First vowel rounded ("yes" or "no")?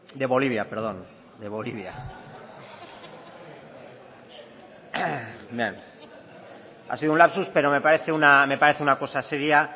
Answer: no